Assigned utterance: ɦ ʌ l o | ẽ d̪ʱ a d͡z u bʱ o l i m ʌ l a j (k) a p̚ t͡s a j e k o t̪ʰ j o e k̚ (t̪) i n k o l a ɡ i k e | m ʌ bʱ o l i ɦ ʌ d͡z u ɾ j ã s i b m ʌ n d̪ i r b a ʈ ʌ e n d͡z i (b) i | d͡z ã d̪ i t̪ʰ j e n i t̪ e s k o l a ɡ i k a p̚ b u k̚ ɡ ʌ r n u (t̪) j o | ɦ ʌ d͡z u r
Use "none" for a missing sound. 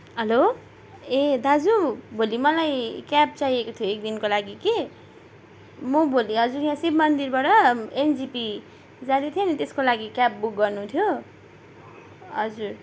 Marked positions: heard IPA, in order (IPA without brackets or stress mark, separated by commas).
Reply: k, d̪, p, t̪ʰ